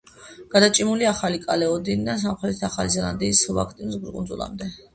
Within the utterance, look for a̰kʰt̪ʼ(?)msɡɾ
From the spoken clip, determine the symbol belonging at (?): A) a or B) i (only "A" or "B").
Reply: B